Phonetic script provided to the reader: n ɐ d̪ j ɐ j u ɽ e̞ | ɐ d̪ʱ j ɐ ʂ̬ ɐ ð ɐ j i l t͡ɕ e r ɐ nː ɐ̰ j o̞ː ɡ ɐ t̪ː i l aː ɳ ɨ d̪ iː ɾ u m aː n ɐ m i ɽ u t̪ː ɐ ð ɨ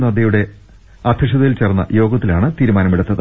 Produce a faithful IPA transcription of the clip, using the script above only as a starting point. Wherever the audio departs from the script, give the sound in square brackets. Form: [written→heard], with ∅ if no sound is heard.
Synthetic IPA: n ɐ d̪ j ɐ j u ɽ e̞ | ɐ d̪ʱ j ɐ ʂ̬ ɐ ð ɐ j i l t͡ɕ e r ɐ nː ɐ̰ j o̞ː ɡ ɐ t̪ː i l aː ɳ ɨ [d̪→t̪] iː ɾ u m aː n ɐ m i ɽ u t̪ː ɐ ð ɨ